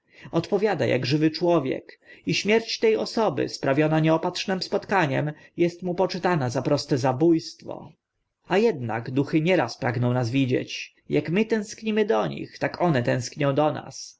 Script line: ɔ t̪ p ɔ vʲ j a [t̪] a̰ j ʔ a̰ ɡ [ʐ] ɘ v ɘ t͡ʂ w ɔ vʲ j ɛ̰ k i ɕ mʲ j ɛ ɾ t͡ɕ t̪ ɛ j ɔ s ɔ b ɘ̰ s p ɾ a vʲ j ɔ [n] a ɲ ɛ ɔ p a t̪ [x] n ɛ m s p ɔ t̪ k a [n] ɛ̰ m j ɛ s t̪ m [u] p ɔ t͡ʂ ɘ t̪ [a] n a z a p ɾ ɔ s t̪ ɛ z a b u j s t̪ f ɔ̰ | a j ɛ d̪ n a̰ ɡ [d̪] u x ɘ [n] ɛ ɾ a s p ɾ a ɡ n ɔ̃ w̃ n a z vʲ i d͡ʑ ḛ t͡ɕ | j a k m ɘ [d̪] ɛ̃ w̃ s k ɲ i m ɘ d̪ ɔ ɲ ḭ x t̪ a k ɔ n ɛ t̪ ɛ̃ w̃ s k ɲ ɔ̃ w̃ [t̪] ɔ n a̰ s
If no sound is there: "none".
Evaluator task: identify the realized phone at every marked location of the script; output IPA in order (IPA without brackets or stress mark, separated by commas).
d̪, ʐ, n, ʂ, ɲ, u, a, d̪, ɲ, t̪, d̪